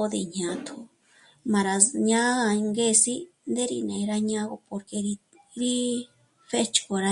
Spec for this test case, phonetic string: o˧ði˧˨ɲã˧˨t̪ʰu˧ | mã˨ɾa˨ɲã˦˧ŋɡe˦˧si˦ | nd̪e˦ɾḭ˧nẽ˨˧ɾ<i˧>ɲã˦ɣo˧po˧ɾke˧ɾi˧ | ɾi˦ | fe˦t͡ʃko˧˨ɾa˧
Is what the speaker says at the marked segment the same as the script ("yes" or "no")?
no